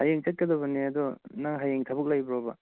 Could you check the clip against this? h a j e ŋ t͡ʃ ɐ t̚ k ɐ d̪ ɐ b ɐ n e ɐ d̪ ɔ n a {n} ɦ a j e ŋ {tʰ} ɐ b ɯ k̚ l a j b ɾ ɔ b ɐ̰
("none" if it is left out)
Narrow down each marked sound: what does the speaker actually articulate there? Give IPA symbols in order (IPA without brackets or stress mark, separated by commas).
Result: ŋ, tʰ